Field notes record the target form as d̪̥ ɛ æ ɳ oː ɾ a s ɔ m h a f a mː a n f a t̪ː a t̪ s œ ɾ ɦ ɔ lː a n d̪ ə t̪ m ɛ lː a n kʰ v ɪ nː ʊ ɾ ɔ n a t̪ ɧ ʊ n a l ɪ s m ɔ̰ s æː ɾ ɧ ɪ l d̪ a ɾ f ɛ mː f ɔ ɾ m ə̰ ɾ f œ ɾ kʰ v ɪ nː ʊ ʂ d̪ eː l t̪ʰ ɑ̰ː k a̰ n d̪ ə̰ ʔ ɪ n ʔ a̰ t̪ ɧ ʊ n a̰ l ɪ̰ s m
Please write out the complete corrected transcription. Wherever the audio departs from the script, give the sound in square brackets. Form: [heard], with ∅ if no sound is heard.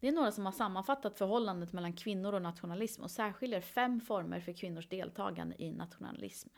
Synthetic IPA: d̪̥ ɛ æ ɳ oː ɾ a s ɔ m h a [ʂ] a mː a n f a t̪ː a t̪ [f] œ ɾ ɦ ɔ lː a n d̪ ə t̪ m ɛ lː a n kʰ v ɪ nː ʊ ɾ ɔ n a t̪ ɧ ʊ n a l ɪ s m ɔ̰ s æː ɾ ɧ ɪ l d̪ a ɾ f ɛ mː f ɔ ɾ m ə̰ ɾ f œ ɾ kʰ v ɪ nː ʊ ʂ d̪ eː l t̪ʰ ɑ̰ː [ɡ] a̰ n d̪ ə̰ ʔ ɪ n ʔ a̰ t̪ ɧ ʊ n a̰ l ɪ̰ s m